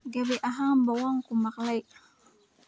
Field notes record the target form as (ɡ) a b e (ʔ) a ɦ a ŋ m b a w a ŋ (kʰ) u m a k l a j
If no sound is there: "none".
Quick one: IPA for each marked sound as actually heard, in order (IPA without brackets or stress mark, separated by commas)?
ɡ, ʔ, k